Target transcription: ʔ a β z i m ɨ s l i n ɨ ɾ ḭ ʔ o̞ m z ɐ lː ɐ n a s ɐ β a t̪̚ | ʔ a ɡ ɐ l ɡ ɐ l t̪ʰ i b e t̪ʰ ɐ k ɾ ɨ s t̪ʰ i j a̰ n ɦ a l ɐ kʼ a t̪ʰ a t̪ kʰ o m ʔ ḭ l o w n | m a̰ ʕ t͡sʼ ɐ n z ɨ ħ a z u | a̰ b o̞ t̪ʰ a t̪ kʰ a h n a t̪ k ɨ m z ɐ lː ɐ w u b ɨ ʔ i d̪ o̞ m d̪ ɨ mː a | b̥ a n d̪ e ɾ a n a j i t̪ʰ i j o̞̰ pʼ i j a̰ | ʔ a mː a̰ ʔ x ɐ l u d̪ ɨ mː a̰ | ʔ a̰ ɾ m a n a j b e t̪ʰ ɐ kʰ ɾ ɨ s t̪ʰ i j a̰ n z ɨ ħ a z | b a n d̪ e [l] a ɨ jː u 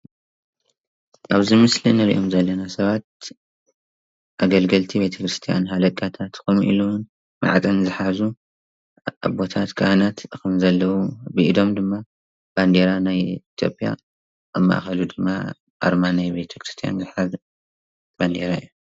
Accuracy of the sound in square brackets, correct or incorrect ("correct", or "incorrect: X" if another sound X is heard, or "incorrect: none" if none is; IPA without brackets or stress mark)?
incorrect: ɾ